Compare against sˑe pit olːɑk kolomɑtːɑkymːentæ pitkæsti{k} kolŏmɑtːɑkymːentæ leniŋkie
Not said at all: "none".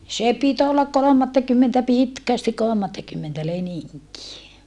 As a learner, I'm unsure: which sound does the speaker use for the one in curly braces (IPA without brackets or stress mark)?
k